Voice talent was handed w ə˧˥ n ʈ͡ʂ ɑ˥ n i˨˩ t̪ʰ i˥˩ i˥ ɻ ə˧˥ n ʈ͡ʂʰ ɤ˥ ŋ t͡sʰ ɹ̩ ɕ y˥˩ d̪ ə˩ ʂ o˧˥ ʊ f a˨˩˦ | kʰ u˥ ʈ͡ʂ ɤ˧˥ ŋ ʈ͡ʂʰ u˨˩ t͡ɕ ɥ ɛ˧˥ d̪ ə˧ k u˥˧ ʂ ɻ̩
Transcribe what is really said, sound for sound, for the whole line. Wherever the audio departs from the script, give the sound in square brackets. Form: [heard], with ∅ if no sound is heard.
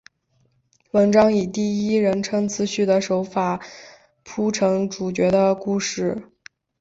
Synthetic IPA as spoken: w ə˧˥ n ʈ͡ʂ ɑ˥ [ŋ] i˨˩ [t̪] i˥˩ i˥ ɻ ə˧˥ n ʈ͡ʂʰ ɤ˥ ŋ t͡sʰ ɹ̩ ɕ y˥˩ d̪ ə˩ ʂ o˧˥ ʊ f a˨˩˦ | [pʰ] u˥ [ʈ͡ʂʰ] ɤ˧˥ ŋ [ʈ͡ʂ] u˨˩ t͡ɕ ɥ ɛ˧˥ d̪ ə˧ k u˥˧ ʂ ɻ̩